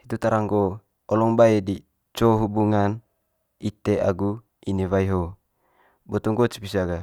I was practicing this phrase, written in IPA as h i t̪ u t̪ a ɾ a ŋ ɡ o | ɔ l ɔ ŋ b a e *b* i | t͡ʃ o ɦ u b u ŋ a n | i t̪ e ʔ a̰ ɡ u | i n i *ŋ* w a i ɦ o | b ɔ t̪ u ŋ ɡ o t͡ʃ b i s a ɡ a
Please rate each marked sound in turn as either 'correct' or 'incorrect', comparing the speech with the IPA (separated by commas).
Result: incorrect, incorrect